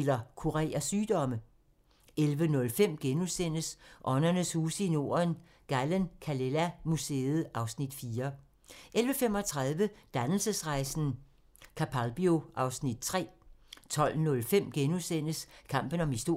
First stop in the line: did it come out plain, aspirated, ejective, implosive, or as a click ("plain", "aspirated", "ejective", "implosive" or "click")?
aspirated